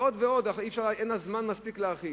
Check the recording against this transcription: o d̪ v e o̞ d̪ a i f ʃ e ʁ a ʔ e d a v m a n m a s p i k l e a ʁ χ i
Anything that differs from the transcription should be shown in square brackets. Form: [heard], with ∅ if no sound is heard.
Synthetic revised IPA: o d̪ v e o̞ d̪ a i f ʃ [a] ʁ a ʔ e [n] a [z] m a n m a s p i k l e a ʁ χ i